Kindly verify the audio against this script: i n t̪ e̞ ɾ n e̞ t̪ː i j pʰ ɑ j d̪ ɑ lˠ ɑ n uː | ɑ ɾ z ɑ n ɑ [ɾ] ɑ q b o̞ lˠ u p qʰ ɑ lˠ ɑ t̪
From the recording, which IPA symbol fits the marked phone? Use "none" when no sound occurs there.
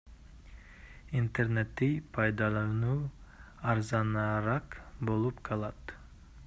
ɾ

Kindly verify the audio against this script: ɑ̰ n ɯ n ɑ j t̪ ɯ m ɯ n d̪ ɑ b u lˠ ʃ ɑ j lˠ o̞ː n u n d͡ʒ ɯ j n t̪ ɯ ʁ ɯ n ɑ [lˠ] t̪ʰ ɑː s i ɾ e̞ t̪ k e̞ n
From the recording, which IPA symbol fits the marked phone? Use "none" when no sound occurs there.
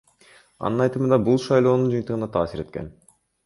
none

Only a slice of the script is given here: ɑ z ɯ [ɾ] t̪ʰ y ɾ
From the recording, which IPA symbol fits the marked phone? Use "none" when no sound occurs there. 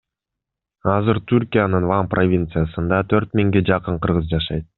ɾ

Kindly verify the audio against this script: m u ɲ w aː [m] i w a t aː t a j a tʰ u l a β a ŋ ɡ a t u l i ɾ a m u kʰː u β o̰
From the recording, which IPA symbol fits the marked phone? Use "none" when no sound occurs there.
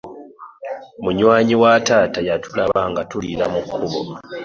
ɲ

